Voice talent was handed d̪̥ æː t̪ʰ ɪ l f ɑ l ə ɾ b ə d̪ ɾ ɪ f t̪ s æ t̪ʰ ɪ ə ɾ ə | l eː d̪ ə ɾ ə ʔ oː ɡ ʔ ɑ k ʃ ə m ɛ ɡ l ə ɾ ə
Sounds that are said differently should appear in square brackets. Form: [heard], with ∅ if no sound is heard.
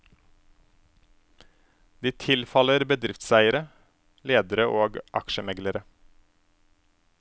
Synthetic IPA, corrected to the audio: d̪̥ [iː] t̪ʰ ɪ l f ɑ l ə ɾ b ə d̪ ɾ ɪ f t̪ s æ [∅] ɪ ə ɾ ə | l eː d̪ ə ɾ ə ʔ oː ɡ ʔ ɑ k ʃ ə m ɛ ɡ l ə ɾ ə

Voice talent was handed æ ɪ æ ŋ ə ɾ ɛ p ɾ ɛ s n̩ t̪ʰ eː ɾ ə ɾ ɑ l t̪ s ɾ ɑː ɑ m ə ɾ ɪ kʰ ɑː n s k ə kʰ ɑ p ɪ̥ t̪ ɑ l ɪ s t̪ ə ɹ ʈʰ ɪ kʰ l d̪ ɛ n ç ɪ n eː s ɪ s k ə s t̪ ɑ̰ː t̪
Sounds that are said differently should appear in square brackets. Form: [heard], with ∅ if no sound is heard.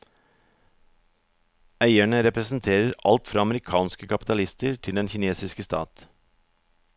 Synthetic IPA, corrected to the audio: æ ɪ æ [ɳ] ə ɾ ɛ p ɾ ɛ s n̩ t̪ʰ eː ɾ ə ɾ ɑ l t̪ [f] ɾ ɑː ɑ m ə ɾ ɪ kʰ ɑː n s k ə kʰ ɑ p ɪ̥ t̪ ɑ l ɪ s t̪ ə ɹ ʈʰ ɪ [∅] l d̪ ɛ n ç ɪ n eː s ɪ s k ə s t̪ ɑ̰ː t̪

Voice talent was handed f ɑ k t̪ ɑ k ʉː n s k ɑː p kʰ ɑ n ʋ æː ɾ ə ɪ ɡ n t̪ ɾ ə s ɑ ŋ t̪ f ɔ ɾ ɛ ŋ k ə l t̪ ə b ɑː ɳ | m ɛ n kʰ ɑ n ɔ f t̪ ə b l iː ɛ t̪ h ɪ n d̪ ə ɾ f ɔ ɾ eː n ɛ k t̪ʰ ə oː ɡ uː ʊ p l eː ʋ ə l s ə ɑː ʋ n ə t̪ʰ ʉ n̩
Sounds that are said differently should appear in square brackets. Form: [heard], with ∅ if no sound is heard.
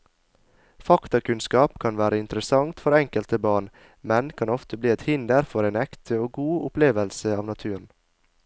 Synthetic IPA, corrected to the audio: f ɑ k t̪ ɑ k [ʉ] n s k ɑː p kʰ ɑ n ʋ æː ɾ ə ɪ [∅] n t̪ ɾ ə s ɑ ŋ t̪ f ɔ ɾ ɛ ŋ k ə l t̪ ə b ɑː ɳ | m ɛ n kʰ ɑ n ɔ f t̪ ə b l iː ɛ t̪ h ɪ n d̪ ə ɾ f ɔ ɾ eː n ɛ k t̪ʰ ə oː ɡ uː ʊ p l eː ʋ ə l s ə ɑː ʋ n [ɑ] t̪ʰ [ʉː] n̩

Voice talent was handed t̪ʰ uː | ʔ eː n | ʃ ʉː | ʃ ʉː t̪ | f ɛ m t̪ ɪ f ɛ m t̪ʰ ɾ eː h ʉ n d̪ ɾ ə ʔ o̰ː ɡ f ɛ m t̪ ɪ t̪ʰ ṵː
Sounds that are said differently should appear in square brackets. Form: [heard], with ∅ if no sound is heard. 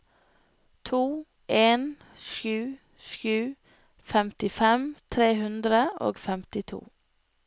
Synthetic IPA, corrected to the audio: t̪ʰ uː | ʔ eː n | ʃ ʉː | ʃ ʉː [∅] | f ɛ m t̪ ɪ f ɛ m t̪ʰ ɾ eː h ʉ n d̪ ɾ ə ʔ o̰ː ɡ f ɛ m t̪ ɪ t̪ʰ ṵː

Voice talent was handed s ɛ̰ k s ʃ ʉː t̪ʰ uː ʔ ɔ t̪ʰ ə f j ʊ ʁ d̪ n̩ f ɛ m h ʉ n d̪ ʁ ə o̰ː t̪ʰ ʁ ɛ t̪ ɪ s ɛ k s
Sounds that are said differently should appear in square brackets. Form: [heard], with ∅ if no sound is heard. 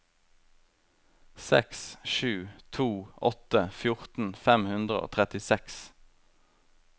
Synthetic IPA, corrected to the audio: s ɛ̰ k s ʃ ʉː t̪ʰ uː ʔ ɔ [t̪] ə f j ʊ ʁ [t̪] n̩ f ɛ m h ʉ n d̪ ʁ ə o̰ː t̪ʰ ʁ ɛ t̪ ɪ s ɛ k s

